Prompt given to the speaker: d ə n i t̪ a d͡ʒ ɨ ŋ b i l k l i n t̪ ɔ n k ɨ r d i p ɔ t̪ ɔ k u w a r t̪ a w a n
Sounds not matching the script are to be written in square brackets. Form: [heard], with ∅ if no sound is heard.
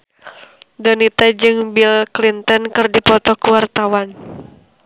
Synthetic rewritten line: d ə n i t̪ a d͡ʒ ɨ ŋ b i l k l i n t̪ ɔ n k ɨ r d i p ɔ t̪ ɔ k u w a r t̪ a w a n